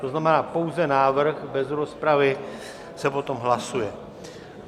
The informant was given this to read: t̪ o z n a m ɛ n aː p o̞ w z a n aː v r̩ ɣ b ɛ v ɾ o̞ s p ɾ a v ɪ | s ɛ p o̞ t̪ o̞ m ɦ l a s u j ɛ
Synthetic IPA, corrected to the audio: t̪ o z n a m ɛ n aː p o̞ w z ɛ n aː v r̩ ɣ b ɛ z ɾ o̞ s p ɾ a v ɪ | s ɛ p o̞ t̪ o̞ m ɦ l a s u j ɛ